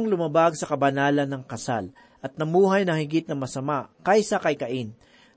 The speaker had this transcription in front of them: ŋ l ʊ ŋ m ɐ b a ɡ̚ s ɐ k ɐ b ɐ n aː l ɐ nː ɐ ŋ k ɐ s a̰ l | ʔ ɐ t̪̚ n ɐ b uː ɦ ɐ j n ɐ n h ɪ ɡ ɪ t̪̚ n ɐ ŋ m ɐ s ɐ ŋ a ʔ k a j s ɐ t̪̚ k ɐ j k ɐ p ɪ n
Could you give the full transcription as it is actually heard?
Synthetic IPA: ŋ l ʊ m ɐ b a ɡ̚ s ɐ k ɐ b ɐ n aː l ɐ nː ɐ ŋ k ɐ s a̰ l | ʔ ɐ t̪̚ n ɐ m uː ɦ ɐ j n ɐ ŋ h ɪ ɡ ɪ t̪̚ n ɐ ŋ m ɐ s ɐ m a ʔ k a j s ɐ k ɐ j k ɐ ʔ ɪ n